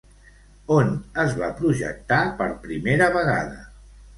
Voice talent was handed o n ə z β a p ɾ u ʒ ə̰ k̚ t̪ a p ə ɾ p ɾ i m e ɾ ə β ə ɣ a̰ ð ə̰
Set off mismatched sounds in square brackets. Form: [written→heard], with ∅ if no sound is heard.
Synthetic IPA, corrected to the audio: o n ə z β a p ɾ u ʒ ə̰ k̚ t̪ a p ə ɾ p ɾ i m e ɾ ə β ə ɣ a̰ ð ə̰

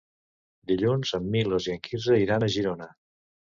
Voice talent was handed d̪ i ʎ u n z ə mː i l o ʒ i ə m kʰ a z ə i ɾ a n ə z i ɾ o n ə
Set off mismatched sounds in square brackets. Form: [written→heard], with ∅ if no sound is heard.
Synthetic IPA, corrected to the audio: d̪ i ʎ u n z ə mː i l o [ʒ→z] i ə [m→ŋ] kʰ [a→i] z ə i ɾ a n ə [z→ʒ] i ɾ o n ə

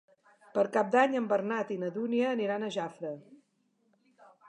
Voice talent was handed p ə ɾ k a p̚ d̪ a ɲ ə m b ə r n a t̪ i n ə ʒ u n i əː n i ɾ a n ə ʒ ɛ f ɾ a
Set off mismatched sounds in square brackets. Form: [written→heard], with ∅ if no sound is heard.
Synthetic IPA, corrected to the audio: p ə ɾ k a p̚ d̪ a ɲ ə m b ə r n a t̪ i n ə [ʒ→ð] u n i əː n i ɾ a n ə ʒ [ɛ→a] f ɾ [a→ə]

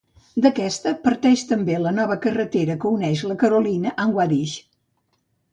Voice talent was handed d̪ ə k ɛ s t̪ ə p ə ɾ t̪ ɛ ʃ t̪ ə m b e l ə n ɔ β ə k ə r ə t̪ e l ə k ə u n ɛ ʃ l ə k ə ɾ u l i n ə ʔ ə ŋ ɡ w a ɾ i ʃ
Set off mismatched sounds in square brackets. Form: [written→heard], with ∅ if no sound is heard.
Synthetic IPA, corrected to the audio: d̪ ə k ɛ s t̪ ə p ə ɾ t̪ ɛ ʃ t̪ ə m b e l ə n ɔ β ə k ə r ə t̪ e [l→ɾ] ə k ə u n ɛ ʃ l ə k ə ɾ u l i n ə ʔ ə ŋ ɡ w a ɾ i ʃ

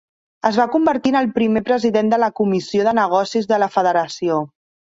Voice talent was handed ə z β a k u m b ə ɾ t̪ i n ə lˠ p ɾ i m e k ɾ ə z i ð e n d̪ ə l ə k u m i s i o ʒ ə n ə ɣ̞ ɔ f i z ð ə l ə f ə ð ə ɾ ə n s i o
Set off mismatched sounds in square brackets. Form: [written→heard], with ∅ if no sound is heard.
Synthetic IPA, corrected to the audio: ə z β a k u m b ə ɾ t̪ i n ə lˠ p ɾ i m e [k→p] ɾ ə z i ð e n d̪ ə l ə k u m i s i o [ʒ→ð] ə n ə ɣ̞ ɔ [f→s] i z ð ə l ə f ə ð ə ɾ ə [n→∅] s i o

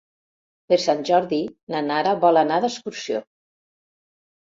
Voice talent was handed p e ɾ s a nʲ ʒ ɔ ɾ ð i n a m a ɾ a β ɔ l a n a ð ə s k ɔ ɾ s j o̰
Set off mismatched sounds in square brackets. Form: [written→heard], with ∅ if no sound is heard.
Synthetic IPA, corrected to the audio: p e ɾ s a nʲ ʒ ɔ ɾ ð i n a [m→n] a ɾ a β ɔ l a n a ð ə s k [ɔ→u] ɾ s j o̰

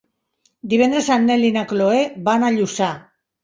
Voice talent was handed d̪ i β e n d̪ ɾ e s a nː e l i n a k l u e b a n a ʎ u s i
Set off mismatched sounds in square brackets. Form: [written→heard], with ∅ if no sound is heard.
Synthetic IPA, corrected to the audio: d̪ i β e n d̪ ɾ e s a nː e l i n a k l [u→o] e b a n a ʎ u s [i→a]

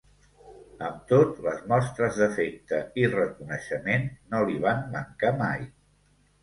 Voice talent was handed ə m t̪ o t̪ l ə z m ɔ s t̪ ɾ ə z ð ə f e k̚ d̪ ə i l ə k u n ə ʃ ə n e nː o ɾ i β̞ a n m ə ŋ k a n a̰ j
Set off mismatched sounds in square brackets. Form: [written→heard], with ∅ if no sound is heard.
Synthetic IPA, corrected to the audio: ə m t̪ o t̪ l ə z m ɔ s t̪ ɾ ə z ð ə f e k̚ [d̪→t̪] ə i [l→r] ə k u n ə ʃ ə [n→m] e nː o [ɾ→l] i β̞ a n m ə ŋ k a [n→m] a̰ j

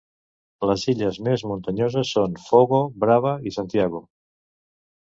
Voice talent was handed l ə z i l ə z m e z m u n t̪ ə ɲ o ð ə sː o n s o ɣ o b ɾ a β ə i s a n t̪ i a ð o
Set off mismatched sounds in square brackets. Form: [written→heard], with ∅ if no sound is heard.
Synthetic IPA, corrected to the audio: l ə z i [l→ʎ] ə z m e z m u n t̪ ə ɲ o [ð→z] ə sː o n [s→f] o ɣ o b ɾ a β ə i s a n t̪ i a [ð→ɣ] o

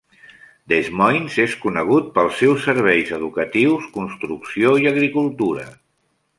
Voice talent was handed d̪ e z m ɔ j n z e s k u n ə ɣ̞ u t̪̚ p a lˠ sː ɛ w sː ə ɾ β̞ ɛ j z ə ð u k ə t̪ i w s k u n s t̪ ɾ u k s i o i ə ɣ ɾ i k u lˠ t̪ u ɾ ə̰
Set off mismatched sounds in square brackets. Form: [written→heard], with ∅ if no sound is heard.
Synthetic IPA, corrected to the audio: d̪ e z m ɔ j n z e s k u n ə ɣ̞ u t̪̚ p [a→ə] lˠ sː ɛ w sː ə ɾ β̞ ɛ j z ə ð u k ə t̪ i w s k u n s t̪ ɾ u k s i o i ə ɣ ɾ i k u lˠ t̪ u ɾ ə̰

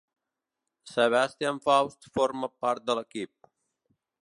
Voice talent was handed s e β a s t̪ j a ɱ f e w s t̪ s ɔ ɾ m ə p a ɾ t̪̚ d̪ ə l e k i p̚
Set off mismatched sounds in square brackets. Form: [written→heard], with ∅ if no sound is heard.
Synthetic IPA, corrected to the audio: s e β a s t̪ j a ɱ f [e→a] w s t̪ [s→f] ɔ ɾ m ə p a ɾ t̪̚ d̪ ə l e k i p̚

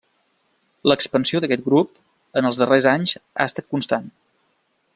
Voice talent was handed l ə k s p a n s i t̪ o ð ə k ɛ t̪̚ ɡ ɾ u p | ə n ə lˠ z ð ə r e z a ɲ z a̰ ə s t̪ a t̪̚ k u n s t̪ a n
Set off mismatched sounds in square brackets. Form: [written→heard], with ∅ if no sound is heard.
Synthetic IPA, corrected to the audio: l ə k s p [a→ə] n s i [t̪→∅] o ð ə k ɛ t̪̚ ɡ ɾ u p | ə n ə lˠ z ð ə r e z a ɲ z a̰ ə s t̪ a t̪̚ k u n s t̪ a n

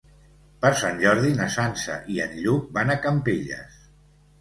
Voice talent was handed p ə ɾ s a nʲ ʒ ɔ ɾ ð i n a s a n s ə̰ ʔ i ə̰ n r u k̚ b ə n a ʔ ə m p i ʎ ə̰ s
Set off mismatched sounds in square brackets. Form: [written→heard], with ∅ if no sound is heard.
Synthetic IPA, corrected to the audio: p ə ɾ s a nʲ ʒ ɔ ɾ ð i n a s a n s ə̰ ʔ i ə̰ n [r→ʎ] u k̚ b [ə→a] n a [ʔ→k] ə m p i ʎ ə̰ s

